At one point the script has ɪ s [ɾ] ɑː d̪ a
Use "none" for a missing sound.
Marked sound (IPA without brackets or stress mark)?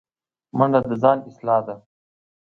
l